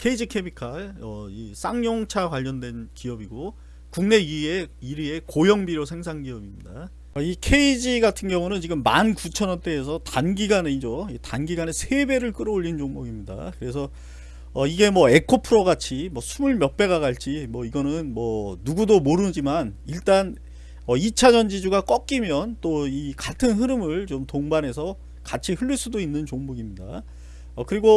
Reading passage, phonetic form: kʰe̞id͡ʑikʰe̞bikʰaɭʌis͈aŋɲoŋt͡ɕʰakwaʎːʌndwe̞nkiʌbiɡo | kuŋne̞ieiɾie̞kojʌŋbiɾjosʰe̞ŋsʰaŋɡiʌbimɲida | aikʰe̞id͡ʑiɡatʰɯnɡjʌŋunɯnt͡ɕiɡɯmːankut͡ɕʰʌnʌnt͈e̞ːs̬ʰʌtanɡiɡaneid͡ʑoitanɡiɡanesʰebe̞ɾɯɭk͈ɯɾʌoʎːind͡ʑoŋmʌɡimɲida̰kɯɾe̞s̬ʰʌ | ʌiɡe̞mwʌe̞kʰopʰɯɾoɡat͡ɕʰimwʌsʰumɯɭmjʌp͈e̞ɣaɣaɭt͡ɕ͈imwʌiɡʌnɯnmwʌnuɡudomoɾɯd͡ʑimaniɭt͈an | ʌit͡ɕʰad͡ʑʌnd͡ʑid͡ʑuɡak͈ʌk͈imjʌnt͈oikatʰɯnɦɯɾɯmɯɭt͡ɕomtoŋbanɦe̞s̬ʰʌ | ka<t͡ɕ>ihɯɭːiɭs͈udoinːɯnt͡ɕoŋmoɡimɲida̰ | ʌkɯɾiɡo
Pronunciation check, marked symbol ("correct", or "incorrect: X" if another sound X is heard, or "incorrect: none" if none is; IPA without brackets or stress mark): incorrect: t͡ɕʰ